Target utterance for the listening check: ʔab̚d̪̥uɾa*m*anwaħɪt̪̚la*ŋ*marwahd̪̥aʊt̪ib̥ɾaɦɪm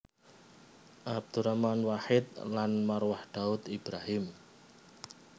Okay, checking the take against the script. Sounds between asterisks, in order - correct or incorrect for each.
correct, incorrect

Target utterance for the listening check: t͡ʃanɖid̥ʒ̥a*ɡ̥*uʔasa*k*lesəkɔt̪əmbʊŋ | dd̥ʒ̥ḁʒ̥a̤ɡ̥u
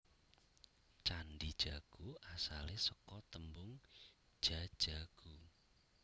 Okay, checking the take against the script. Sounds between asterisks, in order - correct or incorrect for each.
correct, incorrect

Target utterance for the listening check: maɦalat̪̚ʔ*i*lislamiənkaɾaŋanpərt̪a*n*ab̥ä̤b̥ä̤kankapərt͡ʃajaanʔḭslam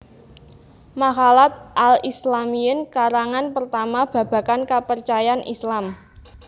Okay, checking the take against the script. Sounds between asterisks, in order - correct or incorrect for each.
incorrect, incorrect

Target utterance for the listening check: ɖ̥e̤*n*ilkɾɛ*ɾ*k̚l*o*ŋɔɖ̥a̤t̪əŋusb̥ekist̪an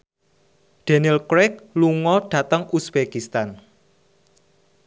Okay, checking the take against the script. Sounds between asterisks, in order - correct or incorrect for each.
correct, incorrect, incorrect

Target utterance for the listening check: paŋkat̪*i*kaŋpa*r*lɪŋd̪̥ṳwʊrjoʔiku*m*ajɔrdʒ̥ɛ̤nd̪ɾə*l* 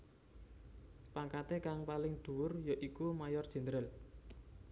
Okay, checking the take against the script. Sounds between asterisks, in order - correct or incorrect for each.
incorrect, incorrect, correct, correct

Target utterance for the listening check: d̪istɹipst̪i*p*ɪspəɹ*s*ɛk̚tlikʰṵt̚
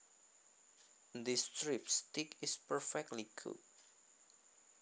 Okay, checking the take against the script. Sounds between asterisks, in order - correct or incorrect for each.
incorrect, incorrect

